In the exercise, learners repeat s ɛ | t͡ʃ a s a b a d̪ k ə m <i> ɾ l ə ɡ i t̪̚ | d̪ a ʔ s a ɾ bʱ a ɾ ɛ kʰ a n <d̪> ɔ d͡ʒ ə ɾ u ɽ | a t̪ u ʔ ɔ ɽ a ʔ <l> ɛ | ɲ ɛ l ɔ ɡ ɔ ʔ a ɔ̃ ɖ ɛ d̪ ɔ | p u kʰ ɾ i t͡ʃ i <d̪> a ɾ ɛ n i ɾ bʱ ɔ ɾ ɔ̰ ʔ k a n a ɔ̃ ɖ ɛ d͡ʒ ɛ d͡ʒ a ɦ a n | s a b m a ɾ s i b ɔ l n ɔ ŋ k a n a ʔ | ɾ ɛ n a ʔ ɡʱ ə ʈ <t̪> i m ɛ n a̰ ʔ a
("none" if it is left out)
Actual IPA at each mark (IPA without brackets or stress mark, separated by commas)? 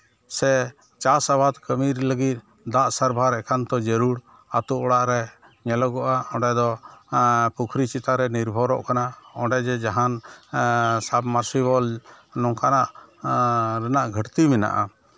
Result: i, t̪, ɾ, t̪, t̪